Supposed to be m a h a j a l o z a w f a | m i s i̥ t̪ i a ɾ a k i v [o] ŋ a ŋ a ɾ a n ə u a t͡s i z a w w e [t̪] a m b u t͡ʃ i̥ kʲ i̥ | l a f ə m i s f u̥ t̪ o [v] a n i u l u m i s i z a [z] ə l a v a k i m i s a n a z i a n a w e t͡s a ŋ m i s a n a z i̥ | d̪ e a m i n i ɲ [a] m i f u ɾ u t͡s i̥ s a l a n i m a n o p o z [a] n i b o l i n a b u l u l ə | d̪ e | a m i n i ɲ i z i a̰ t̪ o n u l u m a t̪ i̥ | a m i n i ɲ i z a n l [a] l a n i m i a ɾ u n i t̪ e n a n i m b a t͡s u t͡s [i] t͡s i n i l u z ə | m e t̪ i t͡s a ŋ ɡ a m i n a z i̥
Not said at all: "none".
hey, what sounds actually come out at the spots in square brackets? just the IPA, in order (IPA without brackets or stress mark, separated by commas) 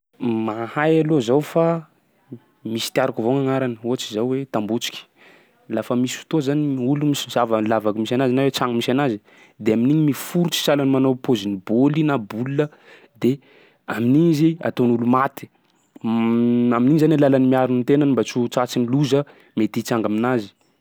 o, t̪, z, v, i, i, a, a